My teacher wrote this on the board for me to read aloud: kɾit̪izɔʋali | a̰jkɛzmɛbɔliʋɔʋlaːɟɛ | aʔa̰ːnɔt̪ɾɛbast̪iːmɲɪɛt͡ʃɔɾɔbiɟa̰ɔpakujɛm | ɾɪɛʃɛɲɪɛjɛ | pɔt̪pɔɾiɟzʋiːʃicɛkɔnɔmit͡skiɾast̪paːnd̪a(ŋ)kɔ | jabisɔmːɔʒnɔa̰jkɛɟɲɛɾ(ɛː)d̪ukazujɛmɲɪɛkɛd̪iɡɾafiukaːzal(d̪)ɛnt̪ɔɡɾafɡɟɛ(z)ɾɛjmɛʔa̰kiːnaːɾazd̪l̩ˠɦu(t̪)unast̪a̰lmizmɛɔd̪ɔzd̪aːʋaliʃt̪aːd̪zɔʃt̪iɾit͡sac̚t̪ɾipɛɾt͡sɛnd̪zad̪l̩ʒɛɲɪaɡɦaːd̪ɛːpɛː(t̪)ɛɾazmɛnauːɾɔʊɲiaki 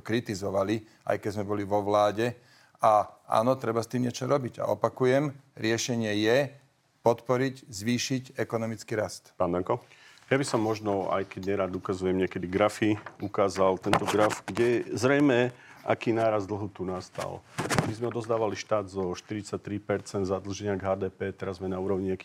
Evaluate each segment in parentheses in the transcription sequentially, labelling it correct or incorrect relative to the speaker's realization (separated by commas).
correct, incorrect, incorrect, correct, correct, correct